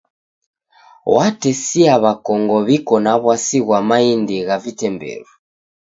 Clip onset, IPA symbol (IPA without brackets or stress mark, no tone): w